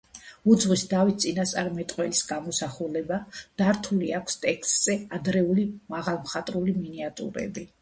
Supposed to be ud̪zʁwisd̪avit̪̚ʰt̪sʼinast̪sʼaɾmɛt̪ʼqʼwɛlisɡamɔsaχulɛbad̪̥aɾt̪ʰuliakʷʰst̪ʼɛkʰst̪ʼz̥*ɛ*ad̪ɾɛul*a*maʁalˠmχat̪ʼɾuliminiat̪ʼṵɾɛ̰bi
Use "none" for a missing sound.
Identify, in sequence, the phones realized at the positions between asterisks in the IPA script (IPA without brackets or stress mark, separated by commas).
ɛ, i